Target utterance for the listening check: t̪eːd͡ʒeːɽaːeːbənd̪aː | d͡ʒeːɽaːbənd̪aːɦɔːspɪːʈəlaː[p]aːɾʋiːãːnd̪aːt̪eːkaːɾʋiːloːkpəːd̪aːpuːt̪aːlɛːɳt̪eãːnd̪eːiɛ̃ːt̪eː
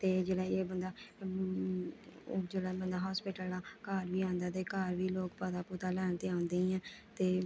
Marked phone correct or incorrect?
incorrect: k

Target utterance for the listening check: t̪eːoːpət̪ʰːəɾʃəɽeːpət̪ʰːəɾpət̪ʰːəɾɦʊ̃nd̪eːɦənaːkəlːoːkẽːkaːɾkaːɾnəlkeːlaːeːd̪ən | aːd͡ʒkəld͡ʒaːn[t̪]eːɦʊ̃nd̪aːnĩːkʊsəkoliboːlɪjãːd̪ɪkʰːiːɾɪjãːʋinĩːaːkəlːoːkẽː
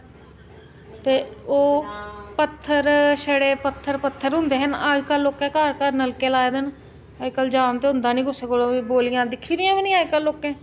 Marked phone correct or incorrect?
correct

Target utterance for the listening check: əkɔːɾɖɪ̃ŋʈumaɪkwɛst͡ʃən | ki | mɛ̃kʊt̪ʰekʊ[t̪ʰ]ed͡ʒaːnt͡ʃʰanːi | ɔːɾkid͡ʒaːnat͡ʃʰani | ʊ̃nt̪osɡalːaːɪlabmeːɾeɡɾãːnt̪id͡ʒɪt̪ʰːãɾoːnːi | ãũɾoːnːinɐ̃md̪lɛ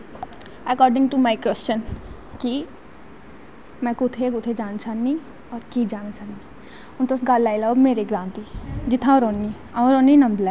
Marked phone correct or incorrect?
correct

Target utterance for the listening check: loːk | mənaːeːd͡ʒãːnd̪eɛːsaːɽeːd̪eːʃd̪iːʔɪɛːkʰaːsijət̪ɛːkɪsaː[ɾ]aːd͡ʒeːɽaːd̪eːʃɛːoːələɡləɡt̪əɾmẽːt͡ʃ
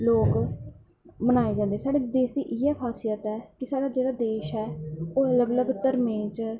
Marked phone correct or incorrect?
incorrect: ɽ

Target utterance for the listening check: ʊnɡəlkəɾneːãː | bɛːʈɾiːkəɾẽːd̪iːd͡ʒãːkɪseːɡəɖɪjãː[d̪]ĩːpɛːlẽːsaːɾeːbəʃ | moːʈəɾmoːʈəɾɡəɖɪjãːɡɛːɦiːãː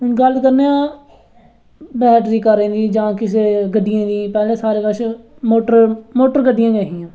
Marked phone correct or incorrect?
correct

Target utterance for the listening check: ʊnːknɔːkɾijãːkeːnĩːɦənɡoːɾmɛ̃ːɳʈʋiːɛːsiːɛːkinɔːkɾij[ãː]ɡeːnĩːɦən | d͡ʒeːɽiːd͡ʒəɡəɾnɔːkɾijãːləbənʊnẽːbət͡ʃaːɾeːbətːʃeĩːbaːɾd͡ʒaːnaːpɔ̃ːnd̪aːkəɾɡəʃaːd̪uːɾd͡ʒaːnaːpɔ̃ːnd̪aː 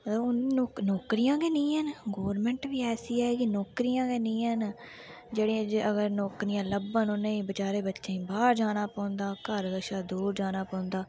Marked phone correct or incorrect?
correct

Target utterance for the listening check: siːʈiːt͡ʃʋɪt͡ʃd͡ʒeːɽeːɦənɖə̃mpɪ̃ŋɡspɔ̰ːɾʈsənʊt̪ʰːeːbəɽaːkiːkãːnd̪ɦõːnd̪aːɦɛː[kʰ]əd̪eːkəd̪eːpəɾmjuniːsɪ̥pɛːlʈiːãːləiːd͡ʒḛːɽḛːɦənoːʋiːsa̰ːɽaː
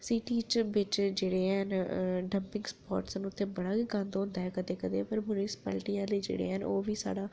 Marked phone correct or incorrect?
incorrect: k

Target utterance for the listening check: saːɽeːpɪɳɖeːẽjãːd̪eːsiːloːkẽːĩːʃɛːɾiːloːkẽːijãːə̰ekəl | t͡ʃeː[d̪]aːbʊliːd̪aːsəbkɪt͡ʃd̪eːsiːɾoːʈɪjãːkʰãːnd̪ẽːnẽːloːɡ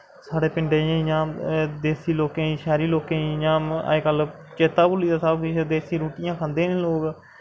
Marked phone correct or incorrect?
incorrect: t̪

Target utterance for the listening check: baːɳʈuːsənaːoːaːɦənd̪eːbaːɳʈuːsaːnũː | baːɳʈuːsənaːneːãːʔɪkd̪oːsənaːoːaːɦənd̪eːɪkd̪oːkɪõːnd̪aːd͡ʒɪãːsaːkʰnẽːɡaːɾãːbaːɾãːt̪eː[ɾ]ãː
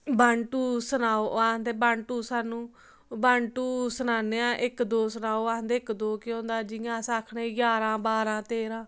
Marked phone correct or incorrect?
correct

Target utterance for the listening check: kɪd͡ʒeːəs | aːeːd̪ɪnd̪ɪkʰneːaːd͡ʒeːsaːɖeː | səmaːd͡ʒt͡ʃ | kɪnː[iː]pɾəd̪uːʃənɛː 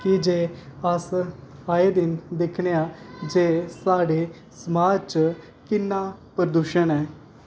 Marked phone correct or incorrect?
incorrect: aː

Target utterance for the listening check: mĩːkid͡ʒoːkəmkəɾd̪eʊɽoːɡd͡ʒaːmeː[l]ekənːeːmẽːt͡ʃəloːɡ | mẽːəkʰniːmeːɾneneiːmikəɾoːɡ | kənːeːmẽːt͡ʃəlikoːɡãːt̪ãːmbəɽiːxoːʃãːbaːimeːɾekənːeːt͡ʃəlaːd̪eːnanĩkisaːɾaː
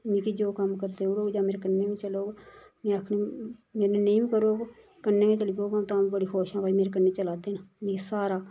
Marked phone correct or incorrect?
incorrect: ɾ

